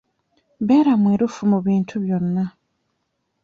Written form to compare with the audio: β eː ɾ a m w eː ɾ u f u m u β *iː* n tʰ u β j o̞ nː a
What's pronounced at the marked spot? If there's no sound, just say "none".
iː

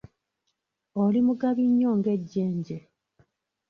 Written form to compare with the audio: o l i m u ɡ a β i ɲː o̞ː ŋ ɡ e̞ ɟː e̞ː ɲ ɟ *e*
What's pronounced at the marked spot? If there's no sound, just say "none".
e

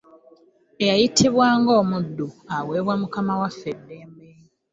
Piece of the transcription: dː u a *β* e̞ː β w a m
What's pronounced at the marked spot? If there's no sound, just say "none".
w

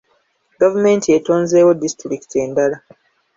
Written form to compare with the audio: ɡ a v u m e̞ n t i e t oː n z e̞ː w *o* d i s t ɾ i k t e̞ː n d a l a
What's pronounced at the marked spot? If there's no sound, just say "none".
o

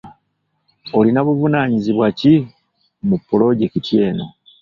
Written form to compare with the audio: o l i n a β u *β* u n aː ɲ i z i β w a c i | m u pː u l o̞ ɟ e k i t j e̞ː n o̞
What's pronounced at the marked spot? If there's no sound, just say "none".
v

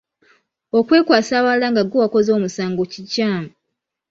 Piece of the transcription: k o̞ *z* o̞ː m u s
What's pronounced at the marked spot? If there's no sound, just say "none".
z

